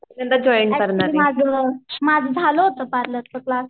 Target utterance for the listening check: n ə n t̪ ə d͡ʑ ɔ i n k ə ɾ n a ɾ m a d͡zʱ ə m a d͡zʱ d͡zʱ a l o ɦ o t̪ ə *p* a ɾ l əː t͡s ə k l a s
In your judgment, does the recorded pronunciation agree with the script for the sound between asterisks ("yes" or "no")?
yes